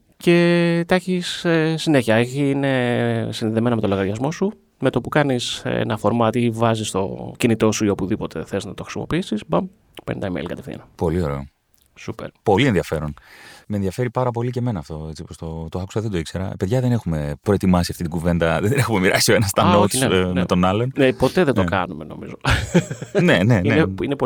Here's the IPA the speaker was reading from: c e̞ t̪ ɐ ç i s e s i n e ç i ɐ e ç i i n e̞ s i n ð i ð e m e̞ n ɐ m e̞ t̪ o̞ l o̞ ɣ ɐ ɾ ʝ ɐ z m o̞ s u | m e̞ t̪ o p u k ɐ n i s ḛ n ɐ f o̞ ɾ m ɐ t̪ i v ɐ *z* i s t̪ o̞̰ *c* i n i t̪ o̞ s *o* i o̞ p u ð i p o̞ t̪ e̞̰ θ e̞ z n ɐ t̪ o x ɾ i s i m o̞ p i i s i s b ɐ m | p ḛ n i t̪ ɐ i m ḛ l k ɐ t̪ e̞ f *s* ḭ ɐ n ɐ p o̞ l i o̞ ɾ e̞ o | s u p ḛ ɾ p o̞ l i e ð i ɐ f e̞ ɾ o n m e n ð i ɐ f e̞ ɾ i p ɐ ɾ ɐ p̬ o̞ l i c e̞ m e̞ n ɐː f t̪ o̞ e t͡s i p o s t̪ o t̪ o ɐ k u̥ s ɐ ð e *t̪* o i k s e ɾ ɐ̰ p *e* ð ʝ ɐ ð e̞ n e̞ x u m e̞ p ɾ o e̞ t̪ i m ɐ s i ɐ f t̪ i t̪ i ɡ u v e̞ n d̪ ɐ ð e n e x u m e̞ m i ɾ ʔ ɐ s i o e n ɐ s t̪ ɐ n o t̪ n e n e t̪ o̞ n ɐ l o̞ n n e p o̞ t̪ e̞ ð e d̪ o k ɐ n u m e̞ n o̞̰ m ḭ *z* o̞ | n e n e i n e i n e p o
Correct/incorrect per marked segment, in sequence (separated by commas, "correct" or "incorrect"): correct, correct, incorrect, incorrect, incorrect, correct, correct